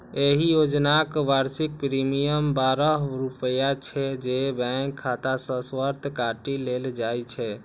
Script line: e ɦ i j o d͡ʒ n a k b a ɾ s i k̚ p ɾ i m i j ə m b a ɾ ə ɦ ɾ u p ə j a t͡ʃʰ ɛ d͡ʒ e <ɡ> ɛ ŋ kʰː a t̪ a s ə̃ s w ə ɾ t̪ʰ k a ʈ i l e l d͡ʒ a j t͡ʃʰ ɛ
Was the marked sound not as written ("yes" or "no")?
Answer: yes